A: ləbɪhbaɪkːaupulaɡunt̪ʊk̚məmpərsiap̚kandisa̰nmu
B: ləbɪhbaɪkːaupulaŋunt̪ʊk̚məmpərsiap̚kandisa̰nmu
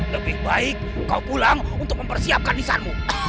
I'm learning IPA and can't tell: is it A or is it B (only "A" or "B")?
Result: B